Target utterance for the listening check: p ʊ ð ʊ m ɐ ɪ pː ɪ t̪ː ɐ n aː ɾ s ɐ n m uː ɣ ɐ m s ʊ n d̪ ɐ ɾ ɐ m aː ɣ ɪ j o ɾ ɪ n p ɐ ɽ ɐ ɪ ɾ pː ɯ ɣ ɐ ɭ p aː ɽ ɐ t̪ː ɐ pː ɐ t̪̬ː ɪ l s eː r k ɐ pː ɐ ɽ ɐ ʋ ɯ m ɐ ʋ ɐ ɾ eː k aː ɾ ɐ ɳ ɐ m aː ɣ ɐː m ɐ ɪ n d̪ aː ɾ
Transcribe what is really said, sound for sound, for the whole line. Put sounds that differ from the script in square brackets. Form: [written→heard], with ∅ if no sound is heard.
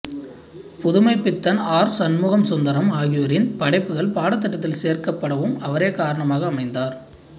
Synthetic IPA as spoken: p ʊ ð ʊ m ɐ ɪ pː ɪ t̪ː ɐ n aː ɾ s ɐ n m uː ɣ ɐ m s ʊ n d̪ ɐ ɾ ɐ m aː ɣ ɪ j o ɾ ɪ n p ɐ ɽ ɐ ɪ [ɾ→∅] pː ɯ ɣ ɐ ɭ p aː ɽ ɐ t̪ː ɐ [pː→ʈː] ɐ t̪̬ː ɪ l s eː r k ɐ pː ɐ ɽ ɐ ʋ ɯ m ɐ ʋ ɐ ɾ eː k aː ɾ ɐ ɳ ɐ m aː ɣ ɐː m ɐ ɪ n d̪ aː ɾ